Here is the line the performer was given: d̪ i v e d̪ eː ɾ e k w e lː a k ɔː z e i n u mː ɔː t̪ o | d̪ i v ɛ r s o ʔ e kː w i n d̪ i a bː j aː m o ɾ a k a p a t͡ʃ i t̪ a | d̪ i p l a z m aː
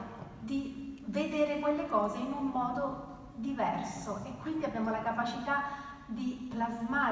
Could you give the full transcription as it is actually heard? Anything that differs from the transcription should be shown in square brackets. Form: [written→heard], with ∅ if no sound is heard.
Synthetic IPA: d̪ i v e d̪ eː ɾ e k w e lː [a→e] k ɔː z e i n u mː ɔː [t̪→d̪] o | d̪ i v ɛ r s o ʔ e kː w i n d̪ i a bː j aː m o [ɾ→l] a k a p a t͡ʃ i t̪ a | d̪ i p l a z m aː